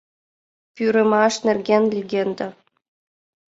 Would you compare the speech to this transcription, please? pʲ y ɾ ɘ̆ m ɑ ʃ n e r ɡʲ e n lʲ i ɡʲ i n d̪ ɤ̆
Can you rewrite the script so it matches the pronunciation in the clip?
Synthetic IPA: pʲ y ɾ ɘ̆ m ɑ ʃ n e r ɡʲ e n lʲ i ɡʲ e n d̪ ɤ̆

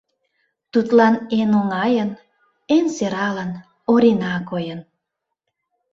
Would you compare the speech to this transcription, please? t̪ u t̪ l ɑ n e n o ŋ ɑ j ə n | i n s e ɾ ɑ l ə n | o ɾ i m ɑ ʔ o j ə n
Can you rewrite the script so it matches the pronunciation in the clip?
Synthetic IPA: t̪ u t̪ l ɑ n e n o ŋ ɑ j ə n | e n s e ɾ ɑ l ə n | o ɾ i n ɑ k o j ə n

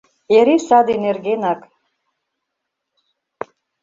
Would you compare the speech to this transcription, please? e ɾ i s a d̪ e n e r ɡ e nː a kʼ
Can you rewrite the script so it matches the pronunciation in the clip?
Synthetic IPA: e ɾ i s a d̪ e n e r ɡ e n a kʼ

